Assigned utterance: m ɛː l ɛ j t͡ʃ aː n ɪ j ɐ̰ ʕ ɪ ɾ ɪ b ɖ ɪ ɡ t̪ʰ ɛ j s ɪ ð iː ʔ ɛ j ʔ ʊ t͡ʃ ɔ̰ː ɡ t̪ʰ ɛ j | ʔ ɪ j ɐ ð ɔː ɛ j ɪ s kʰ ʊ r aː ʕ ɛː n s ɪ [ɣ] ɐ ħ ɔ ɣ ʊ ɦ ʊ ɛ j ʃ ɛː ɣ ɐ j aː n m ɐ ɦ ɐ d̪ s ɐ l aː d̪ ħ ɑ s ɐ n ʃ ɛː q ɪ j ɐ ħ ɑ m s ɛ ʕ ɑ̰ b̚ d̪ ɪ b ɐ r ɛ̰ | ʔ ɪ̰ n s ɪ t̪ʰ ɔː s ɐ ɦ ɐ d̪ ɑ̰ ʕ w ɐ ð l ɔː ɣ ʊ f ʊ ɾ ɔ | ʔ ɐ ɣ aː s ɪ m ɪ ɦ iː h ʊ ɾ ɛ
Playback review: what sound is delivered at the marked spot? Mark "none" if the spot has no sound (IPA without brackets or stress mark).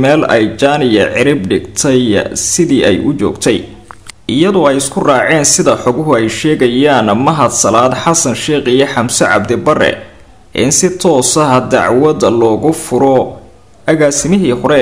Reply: ð